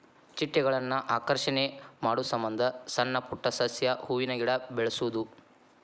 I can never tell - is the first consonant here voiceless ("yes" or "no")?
yes